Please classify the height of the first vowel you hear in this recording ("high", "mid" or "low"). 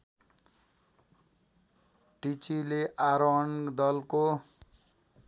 high